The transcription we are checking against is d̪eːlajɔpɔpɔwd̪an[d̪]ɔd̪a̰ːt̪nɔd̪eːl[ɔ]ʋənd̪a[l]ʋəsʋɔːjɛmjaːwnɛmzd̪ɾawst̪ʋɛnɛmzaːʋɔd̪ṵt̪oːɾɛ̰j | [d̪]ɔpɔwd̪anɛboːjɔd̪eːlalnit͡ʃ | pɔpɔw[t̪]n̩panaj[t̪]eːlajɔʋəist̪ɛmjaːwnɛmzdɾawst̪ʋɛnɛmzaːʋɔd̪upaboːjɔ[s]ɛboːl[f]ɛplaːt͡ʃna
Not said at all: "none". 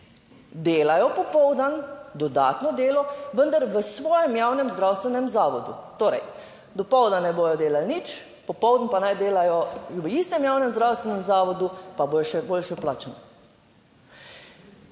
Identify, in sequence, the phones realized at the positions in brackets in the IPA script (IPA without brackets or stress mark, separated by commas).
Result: d̪, ɔ, ɾ, d̪, d̪, d̪, ʃ, ʃ